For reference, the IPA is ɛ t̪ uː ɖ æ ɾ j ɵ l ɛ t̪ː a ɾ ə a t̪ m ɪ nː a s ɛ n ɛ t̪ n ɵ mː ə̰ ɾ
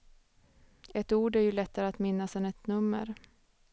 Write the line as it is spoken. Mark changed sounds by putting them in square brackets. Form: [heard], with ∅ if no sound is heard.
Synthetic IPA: ɛ t̪ uː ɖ æ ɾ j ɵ l ɛ t̪ː a ɾ ə a t̪ m ɪ nː a s ɛ n ɛ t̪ n ɵ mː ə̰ ɾ